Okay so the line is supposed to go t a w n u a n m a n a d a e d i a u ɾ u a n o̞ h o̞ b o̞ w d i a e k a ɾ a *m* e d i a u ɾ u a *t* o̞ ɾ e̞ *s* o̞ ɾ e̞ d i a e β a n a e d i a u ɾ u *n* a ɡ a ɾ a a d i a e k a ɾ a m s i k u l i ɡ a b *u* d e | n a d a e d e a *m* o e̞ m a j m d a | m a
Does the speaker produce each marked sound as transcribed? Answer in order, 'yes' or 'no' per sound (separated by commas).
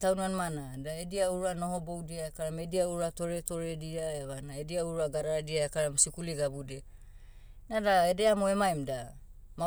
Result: yes, yes, no, no, yes, yes